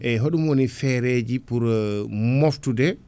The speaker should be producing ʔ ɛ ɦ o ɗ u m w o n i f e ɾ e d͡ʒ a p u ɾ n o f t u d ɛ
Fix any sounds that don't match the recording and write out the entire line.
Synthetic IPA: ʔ ɛ ɦ o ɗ u m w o n i f ɛ ɾ e d͡ʒ i p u ɾ m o f t u d ɛ